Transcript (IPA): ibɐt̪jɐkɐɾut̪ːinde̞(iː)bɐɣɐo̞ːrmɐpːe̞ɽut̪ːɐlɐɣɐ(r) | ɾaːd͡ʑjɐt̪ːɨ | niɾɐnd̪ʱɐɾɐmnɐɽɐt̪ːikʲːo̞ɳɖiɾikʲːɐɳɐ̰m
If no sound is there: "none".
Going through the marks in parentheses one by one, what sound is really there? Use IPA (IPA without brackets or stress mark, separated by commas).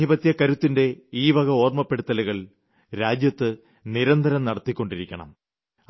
iː, ɭ